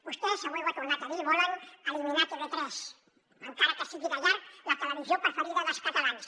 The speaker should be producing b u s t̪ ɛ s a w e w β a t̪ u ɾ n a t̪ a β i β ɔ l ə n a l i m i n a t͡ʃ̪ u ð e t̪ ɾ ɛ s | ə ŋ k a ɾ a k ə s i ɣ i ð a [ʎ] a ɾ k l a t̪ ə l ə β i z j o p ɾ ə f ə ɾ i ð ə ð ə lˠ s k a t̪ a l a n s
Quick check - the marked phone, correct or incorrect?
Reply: correct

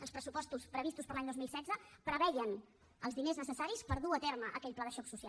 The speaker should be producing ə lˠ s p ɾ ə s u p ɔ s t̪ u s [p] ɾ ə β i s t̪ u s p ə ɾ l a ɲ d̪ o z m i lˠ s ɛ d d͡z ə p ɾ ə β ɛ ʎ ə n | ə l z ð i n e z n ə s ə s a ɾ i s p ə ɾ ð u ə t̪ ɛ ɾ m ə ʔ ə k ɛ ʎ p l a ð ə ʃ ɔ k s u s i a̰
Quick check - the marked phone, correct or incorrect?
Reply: correct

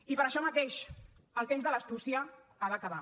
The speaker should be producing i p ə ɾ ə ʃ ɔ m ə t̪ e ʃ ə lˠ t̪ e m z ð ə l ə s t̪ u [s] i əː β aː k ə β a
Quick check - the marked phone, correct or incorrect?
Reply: correct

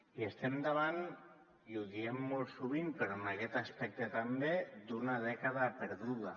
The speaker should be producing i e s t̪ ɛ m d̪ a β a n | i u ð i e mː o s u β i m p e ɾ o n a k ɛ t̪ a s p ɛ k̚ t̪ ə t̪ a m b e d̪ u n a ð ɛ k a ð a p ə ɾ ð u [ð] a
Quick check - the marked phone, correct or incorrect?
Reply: correct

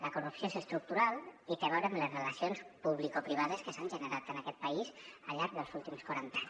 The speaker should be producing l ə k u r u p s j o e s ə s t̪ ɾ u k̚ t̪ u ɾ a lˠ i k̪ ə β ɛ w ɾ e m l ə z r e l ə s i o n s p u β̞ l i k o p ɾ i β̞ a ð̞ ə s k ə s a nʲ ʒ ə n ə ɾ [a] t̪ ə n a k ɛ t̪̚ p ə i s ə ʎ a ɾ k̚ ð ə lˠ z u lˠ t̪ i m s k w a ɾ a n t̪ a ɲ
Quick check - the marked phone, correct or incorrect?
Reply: correct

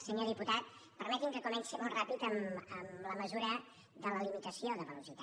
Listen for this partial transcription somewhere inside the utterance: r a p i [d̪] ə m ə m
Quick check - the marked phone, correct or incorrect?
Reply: incorrect: t̪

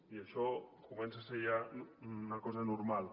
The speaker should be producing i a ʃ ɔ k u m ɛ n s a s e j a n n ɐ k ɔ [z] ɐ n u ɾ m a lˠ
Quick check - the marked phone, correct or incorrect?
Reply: correct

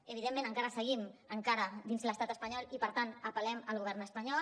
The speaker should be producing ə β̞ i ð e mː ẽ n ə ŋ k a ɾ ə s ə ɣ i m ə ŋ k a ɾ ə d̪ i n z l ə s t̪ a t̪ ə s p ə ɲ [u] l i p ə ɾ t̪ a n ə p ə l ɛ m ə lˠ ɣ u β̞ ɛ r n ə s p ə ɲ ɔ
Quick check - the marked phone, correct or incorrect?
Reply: incorrect: ɔ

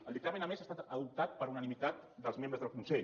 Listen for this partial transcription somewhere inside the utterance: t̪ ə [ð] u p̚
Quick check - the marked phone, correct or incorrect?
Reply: correct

